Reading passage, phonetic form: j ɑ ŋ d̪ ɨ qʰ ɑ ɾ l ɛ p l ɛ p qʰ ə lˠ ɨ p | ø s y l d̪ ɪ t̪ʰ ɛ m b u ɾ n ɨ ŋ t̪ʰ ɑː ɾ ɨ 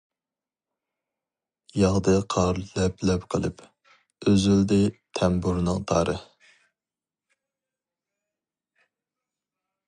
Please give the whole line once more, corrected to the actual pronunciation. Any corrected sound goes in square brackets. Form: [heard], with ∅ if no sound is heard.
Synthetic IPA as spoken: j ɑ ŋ d̪ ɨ qʰ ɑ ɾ l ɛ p l ɛ p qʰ ə lˠ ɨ p | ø [z] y l d̪ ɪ t̪ʰ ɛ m b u ɾ n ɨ ŋ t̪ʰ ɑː ɾ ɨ